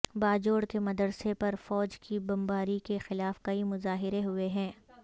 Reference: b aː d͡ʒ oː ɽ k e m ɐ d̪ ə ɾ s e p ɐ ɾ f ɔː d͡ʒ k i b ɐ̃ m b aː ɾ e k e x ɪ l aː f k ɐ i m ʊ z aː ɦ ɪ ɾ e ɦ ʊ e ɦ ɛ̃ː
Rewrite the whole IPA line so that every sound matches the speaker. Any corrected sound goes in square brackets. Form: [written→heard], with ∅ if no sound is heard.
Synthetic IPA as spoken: b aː d͡ʒ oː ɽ k e m ɐ d̪ ə ɾ s e p ɐ ɾ f ɔː d͡ʒ k i b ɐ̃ m b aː ɾ [e→i] k e x ɪ l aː f k ɐ i m ʊ z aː ɦ ɪ ɾ e ɦ ʊ e ɦ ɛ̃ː